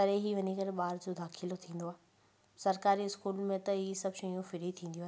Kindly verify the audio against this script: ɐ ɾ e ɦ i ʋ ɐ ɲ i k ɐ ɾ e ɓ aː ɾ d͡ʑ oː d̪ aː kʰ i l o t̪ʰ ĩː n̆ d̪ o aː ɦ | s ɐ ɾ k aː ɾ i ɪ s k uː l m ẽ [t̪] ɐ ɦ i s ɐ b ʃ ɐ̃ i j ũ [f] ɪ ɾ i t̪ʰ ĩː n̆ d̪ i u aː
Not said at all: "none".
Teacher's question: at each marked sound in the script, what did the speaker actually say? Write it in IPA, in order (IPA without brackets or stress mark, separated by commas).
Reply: t̪, f